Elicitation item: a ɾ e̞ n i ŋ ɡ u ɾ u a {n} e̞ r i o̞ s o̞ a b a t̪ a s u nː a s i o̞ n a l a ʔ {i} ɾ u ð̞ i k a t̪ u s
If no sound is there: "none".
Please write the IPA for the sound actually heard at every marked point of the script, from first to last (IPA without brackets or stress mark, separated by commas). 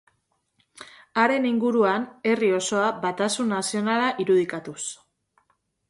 n, i